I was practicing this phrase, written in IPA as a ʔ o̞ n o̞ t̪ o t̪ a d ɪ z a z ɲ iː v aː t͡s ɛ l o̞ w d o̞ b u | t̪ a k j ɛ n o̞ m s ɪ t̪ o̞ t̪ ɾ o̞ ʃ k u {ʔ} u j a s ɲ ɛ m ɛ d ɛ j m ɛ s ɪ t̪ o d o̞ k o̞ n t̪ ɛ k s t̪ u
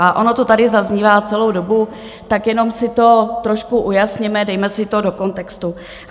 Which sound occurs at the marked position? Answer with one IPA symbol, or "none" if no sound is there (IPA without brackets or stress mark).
ʔ